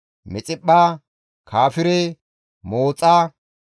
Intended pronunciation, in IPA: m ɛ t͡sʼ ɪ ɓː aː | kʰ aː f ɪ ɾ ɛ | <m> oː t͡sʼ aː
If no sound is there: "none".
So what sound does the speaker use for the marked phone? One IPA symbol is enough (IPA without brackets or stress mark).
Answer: m